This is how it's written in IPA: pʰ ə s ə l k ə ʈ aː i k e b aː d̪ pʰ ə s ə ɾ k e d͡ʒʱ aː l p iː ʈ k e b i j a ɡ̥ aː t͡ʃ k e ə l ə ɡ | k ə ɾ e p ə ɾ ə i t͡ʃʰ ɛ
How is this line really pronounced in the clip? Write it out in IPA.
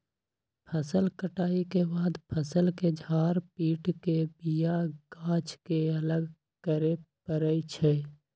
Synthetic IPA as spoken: pʰ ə s ə l k ə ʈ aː i k e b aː d̪ pʰ ə s ə l k e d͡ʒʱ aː ɾ p iː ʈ k e b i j a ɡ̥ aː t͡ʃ k e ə l ə ɡ | k ə ɾ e p ə ɾ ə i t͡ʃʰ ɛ

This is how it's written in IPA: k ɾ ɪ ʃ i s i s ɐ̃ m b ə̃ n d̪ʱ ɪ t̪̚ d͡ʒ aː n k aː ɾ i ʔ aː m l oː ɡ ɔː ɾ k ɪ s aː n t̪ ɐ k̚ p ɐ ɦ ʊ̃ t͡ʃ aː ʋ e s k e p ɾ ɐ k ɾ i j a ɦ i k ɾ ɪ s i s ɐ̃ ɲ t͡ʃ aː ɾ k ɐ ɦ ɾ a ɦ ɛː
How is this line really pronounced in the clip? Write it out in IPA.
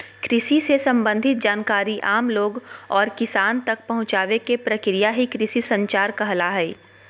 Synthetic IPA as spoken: k ɾ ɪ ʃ i s e s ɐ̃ m b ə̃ n d̪ʱ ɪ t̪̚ d͡ʒ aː n k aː ɾ i ʔ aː m l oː ɡ ɔː ɾ k ɪ s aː n t̪ ɐ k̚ p ɐ ɦ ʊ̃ t͡ʃ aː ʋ e k e p ɾ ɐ k ɾ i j a ɦ i k ɾ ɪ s i s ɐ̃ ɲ t͡ʃ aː ɾ k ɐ ɦ l a ɦ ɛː

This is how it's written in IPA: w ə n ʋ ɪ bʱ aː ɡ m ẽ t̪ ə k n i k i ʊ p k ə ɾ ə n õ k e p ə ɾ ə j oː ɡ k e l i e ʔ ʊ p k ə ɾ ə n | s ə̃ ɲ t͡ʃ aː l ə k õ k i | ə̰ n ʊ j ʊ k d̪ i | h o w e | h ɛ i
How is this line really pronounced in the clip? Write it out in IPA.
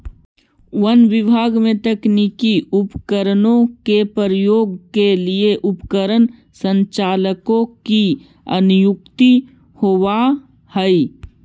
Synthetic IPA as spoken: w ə n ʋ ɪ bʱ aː ɡ m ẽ t̪ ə k n i k i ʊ p k ə ɾ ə n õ k e p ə ɾ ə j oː ɡ k e l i e ʔ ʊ p k ə ɾ ə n | s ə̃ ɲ t͡ʃ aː l ə k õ k i | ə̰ n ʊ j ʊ k t̪ i | h o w a | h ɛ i

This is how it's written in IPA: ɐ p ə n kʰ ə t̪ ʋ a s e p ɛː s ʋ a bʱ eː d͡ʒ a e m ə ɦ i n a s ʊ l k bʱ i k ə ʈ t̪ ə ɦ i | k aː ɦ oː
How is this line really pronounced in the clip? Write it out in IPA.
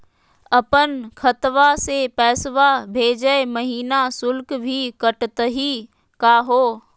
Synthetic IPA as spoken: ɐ p ə n kʰ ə t̪ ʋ a s e p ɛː s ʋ a bʱ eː d͡ʒ ə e m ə ɦ iː n a s ʊ l k bʱ i k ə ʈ t̪ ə ɦ i | k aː ɦ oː

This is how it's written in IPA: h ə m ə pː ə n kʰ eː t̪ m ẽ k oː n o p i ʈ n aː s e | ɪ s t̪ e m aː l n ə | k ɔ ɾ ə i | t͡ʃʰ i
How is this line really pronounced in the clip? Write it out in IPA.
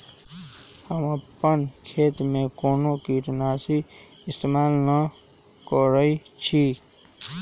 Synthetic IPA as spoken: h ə m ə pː ə n kʰ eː t̪ m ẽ k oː n o k i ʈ n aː s i | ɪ s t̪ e m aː l n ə | k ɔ ɾ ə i | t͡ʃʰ i

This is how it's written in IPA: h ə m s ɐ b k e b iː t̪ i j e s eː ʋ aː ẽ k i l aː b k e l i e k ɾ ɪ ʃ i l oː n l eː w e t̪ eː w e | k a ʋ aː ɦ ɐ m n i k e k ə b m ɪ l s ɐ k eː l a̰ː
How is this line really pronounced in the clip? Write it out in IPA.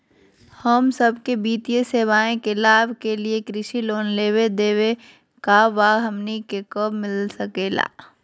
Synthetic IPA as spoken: h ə m s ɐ b k e b iː t̪ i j e s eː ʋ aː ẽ k e l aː b k e l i e k ɾ ɪ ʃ i l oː n l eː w e d̪ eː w e | k a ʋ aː ɦ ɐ m n i k e k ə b m ɪ l s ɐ k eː l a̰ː

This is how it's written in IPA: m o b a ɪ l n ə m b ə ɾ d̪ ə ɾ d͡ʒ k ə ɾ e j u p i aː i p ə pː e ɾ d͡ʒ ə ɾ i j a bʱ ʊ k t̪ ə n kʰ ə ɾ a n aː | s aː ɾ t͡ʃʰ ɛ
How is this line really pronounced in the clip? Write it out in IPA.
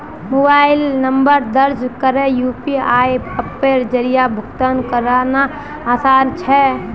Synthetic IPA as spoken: m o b a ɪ l n ə m b ə ɾ d̪ ə ɾ d͡ʒ k ə ɾ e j u p i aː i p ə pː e ɾ d͡ʒ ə ɾ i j a bʱ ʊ k t̪ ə n k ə ɾ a n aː | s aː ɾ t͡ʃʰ ɛ

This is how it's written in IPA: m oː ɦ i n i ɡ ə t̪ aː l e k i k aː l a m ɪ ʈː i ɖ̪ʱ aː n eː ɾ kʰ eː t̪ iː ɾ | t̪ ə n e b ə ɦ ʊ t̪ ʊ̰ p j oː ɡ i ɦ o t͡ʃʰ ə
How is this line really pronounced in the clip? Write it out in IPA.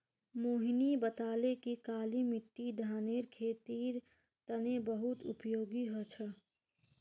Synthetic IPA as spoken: m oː ɦ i n i b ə t̪ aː l e k i k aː l i m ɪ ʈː i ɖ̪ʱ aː n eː ɾ kʰ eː t̪ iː ɾ | t̪ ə n e b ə ɦ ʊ t̪ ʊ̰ p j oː ɡ i ɦ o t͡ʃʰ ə

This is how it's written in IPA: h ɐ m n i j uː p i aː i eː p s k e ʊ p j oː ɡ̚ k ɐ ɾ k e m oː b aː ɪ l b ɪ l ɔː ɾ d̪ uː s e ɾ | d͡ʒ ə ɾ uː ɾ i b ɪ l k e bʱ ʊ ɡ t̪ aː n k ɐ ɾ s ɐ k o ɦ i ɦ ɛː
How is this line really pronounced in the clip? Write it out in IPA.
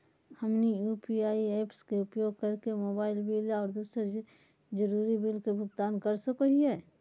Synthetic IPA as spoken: h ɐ m n i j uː p i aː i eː p s k e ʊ p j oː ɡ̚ k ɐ ɾ k e m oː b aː ɪ l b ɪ l ɔː ɾ d̪ uː s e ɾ | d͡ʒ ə ɾ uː ɾ i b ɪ l k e bʱ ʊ ɡ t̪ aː n k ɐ ɾ s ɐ k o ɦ i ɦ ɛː

